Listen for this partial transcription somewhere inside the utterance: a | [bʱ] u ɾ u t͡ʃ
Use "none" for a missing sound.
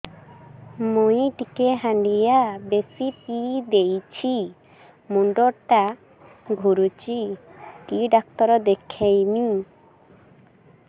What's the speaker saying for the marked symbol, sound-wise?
ɡʱ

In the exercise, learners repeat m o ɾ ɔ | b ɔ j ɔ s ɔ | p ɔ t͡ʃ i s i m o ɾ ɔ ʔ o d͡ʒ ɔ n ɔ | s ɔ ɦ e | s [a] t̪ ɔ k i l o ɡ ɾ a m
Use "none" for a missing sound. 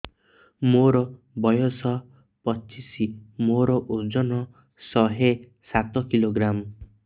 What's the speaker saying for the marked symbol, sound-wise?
a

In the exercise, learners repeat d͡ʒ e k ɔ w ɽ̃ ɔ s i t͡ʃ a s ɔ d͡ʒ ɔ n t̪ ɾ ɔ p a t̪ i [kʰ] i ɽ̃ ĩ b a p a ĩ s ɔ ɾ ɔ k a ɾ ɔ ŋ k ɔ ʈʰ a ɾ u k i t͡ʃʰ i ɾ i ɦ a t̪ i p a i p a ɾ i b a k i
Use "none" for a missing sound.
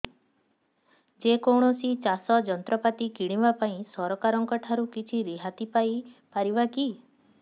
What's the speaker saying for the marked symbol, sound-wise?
k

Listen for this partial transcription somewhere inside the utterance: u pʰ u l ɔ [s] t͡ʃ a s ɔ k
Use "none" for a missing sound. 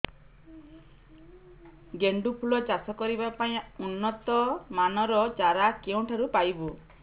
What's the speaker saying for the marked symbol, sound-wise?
none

